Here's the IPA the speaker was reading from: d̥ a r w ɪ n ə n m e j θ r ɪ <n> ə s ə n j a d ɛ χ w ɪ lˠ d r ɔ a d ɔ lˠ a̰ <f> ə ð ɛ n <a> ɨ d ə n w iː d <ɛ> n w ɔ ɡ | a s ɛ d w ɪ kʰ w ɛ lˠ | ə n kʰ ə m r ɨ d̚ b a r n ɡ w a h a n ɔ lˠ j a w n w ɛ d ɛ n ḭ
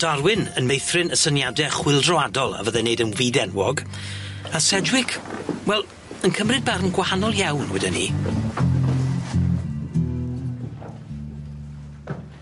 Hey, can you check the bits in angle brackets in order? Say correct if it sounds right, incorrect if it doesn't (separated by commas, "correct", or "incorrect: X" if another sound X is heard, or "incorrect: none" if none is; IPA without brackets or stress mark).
correct, incorrect: v, incorrect: e, correct